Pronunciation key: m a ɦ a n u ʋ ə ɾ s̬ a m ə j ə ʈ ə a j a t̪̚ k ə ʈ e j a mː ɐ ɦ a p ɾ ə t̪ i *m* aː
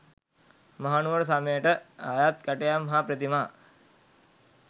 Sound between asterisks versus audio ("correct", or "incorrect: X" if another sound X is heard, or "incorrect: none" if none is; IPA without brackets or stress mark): correct